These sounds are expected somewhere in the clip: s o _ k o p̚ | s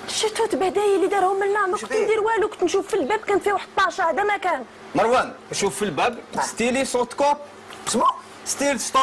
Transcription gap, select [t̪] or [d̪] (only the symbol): t̪